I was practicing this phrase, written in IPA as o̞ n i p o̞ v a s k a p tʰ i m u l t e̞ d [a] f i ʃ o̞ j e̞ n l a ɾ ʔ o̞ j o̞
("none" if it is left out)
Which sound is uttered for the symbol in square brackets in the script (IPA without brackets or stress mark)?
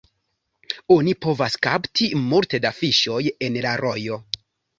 a